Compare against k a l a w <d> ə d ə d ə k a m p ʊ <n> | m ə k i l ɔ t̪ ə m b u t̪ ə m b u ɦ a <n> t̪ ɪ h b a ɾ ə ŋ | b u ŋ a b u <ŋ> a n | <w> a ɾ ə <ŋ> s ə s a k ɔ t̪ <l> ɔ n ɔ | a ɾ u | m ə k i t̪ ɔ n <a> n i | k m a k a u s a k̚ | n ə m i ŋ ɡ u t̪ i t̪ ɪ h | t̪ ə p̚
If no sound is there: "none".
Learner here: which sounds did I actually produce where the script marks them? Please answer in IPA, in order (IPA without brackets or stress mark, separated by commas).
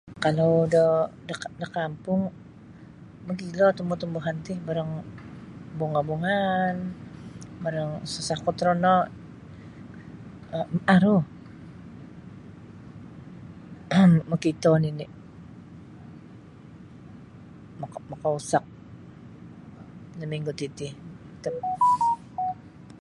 d, ŋ, n, ŋ, b, ŋ, ɾ, i